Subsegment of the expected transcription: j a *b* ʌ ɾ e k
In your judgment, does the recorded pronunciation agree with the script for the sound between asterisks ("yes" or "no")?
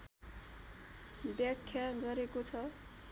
no